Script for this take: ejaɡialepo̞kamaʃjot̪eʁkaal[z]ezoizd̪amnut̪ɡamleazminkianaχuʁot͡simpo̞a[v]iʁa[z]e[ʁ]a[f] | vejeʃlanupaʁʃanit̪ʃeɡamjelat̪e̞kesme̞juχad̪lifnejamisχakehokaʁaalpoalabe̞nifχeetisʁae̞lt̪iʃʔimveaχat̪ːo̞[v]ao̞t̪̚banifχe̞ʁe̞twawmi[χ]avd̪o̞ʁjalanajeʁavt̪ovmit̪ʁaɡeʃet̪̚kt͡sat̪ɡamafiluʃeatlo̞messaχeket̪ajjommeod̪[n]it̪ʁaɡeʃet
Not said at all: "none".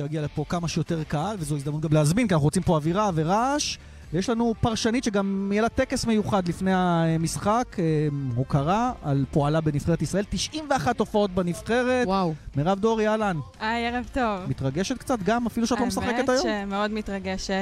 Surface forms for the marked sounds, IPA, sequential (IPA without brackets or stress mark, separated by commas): v, v, v, ʁ, ʃ, f, ʁ, m